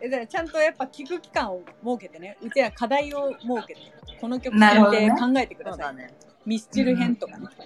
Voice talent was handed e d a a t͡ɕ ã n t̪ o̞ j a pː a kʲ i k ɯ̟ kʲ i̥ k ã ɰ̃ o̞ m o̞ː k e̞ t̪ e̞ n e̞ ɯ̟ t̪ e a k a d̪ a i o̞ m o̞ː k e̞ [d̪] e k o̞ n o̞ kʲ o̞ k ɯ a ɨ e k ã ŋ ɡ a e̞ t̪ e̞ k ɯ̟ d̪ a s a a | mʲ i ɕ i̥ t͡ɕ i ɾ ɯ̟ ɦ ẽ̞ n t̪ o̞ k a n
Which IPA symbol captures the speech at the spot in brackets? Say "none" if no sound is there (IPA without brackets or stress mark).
t̪